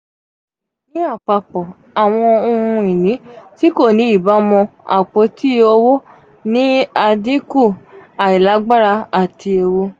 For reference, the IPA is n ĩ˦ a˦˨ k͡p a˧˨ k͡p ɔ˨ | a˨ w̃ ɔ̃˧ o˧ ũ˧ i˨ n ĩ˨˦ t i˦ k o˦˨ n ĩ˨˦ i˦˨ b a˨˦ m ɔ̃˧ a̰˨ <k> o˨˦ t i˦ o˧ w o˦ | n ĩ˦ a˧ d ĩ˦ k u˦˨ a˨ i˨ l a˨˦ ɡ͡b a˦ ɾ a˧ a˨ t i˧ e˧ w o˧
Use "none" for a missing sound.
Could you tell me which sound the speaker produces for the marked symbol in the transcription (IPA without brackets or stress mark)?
k͡p